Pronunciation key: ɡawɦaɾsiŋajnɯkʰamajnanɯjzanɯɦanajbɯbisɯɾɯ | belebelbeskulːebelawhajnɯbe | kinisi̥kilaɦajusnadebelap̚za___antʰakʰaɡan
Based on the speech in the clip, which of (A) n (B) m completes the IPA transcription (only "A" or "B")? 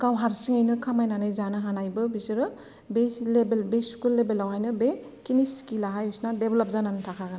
A